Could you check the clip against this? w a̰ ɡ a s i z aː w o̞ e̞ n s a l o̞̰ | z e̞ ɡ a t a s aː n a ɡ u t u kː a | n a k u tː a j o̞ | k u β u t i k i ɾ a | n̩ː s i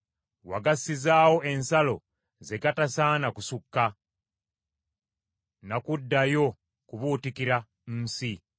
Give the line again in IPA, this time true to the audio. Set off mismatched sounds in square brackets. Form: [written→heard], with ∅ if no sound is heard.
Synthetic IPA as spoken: w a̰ ɡ a s i z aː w o̞ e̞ n s a l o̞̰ | z e̞ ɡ a t a s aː n a [ɡ→k] u [t→s] u kː a | n a k u [tː→dː] a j o̞ | k u β u t i k i ɾ a | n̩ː s i